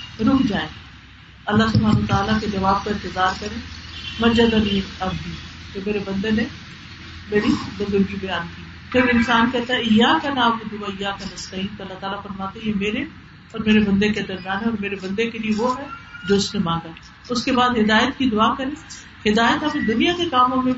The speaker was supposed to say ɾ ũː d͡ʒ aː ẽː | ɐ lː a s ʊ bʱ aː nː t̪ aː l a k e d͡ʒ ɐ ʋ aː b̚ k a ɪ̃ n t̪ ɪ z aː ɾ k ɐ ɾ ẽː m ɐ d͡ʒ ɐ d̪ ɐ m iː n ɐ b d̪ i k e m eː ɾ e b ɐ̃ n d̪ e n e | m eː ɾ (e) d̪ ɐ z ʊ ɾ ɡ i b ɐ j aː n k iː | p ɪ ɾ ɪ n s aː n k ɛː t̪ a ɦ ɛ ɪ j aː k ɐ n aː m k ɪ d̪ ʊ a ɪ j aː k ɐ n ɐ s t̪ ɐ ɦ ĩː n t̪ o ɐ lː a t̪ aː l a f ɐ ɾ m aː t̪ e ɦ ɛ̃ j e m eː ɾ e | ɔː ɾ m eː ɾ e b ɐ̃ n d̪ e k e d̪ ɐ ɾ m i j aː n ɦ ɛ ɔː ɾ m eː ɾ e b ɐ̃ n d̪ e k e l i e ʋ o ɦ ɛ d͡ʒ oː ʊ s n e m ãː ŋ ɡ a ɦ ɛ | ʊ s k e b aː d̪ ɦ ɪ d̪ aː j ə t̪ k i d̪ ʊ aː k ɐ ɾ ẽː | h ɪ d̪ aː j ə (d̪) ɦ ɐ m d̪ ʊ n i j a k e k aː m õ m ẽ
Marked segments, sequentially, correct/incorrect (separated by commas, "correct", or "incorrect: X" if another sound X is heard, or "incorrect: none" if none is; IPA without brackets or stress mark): incorrect: i, incorrect: t̪